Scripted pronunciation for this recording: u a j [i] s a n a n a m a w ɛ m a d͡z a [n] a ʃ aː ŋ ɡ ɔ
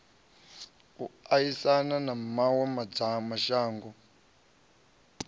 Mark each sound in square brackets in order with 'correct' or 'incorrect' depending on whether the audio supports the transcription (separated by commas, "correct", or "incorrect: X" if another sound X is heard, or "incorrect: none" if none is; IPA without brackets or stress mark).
correct, incorrect: m